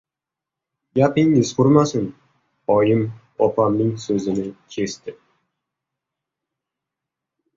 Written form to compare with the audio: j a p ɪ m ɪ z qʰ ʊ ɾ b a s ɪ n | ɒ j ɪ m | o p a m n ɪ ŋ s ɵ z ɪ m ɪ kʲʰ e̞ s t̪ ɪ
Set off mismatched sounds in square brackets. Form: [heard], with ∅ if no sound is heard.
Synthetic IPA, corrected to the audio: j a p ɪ [ŋ] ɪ z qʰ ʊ ɾ [m] a s ɪ n | ɒ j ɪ m | [ɒ] p a m n ɪ ŋ s ɵ z ɪ [n] ɪ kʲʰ e̞ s t̪ ɪ